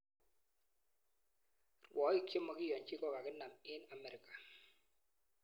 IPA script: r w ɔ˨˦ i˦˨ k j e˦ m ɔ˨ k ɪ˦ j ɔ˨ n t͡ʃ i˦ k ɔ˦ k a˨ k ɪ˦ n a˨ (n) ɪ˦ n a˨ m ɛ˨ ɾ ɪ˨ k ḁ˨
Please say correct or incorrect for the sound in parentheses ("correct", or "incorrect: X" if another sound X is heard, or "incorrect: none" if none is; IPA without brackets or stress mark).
incorrect: m